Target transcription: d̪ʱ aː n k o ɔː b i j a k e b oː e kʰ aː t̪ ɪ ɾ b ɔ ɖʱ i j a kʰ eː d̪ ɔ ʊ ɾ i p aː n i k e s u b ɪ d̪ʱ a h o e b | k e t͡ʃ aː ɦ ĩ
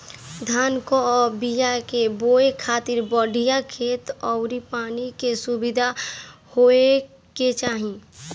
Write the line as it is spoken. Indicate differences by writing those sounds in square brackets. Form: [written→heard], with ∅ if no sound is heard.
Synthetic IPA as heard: d̪ʱ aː n k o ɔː b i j a k e b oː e kʰ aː t̪ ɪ ɾ b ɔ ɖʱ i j a kʰ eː [d̪→t̪] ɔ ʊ ɾ i p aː n i k e s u b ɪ d̪ʱ a h o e [b→∅] | k e t͡ʃ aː ɦ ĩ